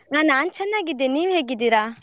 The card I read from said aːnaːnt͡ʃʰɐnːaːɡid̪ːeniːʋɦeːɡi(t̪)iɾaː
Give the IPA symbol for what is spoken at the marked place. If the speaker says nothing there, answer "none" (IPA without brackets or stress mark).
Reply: d̪